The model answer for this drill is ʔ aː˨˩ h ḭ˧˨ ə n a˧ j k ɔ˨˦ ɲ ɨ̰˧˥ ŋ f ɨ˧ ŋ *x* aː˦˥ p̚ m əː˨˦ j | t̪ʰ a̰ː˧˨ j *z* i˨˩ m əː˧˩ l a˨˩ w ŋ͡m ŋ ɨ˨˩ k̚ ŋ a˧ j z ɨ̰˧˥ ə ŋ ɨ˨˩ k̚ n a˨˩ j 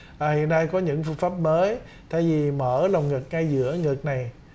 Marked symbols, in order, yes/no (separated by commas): no, no